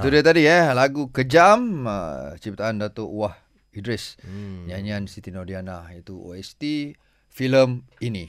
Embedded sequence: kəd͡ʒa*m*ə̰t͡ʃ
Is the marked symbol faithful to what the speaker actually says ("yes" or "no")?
yes